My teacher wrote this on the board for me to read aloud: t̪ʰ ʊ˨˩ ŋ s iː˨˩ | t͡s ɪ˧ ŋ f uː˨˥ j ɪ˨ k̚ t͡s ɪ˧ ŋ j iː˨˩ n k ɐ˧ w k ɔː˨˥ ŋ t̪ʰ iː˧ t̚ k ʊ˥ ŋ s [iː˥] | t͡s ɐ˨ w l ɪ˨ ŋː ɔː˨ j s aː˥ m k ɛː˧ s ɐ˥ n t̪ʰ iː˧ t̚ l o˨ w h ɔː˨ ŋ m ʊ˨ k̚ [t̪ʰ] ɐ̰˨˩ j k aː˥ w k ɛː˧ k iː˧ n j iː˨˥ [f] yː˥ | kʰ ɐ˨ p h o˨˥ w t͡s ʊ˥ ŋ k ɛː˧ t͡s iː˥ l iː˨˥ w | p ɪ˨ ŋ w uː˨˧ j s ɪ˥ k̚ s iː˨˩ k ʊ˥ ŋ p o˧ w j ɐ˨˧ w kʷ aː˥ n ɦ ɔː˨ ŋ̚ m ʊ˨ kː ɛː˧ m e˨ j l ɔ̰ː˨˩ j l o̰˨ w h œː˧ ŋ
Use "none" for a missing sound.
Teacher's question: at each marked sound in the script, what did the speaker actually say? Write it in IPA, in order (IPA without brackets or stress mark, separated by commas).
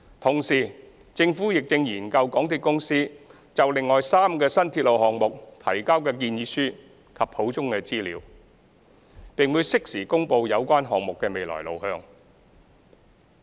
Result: iː˥, t̪ʰ, s